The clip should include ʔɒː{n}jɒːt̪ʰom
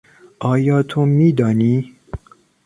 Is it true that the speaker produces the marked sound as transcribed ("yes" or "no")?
no